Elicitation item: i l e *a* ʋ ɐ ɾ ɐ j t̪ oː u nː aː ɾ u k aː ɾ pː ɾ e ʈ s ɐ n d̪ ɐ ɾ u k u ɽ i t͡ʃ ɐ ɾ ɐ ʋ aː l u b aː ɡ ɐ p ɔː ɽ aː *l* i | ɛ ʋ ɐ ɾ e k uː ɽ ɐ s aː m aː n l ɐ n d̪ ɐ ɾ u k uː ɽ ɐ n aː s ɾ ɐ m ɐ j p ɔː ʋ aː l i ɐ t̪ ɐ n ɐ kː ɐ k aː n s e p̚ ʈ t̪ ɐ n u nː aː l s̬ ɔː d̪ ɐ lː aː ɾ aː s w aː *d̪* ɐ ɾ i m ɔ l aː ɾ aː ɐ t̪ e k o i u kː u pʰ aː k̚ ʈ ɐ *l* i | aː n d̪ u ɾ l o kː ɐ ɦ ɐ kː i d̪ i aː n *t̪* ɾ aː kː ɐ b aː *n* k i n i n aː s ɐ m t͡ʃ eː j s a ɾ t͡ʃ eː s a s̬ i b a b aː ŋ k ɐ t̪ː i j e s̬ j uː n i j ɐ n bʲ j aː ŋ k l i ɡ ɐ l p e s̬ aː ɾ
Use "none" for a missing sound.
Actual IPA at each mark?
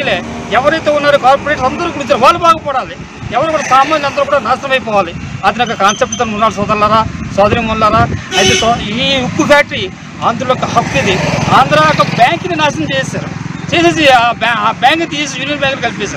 ɛ, l, d̪, ɾ, d̪, ŋ

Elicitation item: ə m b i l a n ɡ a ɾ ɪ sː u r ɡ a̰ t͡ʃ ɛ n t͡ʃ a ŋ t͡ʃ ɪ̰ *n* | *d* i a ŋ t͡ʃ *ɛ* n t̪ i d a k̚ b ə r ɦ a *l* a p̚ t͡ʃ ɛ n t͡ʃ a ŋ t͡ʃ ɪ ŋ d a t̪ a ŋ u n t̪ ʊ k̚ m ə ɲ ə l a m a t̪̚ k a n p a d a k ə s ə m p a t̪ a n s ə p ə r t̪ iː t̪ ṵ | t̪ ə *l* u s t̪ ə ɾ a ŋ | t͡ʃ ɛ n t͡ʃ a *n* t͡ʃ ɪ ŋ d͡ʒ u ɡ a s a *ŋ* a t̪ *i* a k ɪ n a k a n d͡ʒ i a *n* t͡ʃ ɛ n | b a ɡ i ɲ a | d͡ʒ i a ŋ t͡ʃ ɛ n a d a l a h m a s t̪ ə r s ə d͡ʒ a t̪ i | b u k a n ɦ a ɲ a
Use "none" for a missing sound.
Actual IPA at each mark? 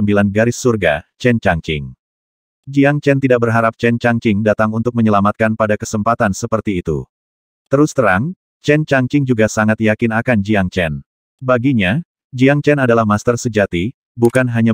ŋ, d͡ʒ, ɛ, ɾ, ɾ, ŋ, ŋ, j, ŋ

